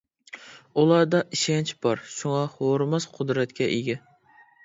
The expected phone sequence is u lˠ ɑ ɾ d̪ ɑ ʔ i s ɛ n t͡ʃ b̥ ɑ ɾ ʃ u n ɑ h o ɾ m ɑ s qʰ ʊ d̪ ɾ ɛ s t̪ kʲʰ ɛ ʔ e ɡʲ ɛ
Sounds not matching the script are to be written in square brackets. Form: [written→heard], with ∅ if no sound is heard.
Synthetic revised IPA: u lˠ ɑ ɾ d̪ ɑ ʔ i [s→ʃ] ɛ n t͡ʃ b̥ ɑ ɾ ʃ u [n→ŋ] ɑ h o ɾ m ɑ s qʰ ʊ d̪ ɾ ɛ [s→∅] t̪ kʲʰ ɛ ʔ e ɡʲ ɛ